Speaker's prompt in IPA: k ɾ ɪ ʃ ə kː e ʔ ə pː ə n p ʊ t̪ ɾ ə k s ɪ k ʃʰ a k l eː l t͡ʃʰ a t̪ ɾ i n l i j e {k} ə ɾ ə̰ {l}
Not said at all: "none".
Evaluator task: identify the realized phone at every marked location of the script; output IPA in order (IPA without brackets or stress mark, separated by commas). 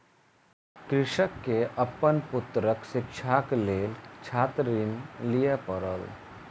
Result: p, l